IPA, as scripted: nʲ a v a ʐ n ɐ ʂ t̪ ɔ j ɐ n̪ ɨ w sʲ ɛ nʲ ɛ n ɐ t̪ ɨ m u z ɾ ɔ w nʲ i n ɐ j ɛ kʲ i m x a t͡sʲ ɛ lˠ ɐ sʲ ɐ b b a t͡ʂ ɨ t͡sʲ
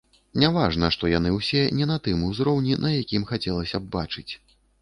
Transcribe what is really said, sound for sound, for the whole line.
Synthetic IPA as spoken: nʲ a v a ʐ n ɐ ʂ t̪ ɔ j a n̪ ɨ w sʲ ɛ nʲ ɛ n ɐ t̪ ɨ m u z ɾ ɔ w nʲ i n ɐ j a kʲ i m x a t͡sʲ ɛ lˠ ɐ sʲ ɐ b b a t͡ʂ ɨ t͡sʲ